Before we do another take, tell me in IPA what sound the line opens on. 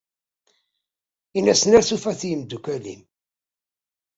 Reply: i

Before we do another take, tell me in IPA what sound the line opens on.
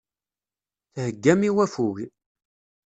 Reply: θ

